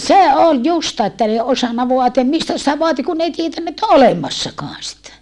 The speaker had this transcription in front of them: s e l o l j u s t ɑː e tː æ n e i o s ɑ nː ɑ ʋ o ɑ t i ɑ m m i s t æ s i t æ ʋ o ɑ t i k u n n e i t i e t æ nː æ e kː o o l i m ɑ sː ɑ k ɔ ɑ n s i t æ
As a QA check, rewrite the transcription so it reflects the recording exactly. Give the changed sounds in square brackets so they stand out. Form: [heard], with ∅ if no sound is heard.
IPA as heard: s e [∅] o l j u s t ɑː e tː æ n e i o s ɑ nː ɑ ʋ o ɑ t i ɑ m m i s t æ s i t æ ʋ o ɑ t i k u n n e i t i e t æ nː æ e [tː] o o l [e] m ɑ sː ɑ k ɔ ɑ n s i t æ